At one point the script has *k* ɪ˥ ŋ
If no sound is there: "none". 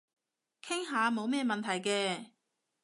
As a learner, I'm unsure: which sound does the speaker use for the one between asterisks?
kʰ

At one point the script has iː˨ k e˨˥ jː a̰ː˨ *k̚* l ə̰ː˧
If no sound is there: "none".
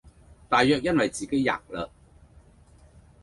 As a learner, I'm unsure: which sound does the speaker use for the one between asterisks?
k̚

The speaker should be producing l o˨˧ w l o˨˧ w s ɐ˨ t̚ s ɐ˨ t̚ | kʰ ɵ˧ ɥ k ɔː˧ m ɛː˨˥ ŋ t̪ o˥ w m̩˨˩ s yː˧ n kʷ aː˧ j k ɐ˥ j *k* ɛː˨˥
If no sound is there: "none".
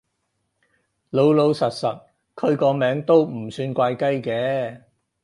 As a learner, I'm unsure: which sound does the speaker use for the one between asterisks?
k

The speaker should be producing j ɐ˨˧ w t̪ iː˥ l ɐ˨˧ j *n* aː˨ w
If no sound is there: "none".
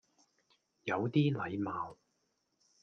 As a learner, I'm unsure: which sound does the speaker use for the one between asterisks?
m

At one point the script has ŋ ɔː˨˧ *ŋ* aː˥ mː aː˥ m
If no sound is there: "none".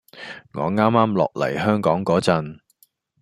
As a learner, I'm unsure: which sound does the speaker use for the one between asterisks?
ŋ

